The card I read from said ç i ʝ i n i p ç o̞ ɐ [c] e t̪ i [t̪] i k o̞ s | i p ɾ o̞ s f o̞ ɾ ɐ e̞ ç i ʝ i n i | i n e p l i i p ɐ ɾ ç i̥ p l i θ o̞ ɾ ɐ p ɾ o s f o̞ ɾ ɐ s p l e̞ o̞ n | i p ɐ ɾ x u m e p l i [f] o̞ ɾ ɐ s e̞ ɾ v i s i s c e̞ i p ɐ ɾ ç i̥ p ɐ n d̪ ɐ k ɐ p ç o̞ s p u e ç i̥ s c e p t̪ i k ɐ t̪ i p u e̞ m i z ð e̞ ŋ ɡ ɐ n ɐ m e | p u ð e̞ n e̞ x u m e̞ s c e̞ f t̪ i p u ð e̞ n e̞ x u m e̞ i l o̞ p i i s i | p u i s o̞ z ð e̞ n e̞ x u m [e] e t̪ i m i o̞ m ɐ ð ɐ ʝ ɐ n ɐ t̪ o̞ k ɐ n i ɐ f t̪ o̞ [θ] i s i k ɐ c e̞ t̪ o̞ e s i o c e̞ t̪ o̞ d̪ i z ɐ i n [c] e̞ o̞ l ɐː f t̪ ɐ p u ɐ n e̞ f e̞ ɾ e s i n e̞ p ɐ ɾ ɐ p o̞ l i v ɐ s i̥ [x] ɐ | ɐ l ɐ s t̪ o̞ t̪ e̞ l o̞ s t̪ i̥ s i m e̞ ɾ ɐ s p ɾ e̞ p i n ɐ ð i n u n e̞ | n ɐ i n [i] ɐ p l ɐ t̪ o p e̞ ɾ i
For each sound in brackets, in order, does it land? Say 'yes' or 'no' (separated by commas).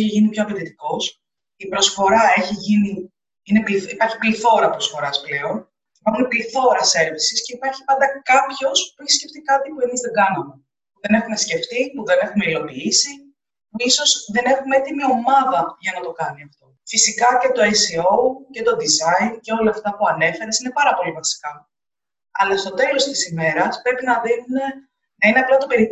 no, yes, no, yes, no, yes, no, no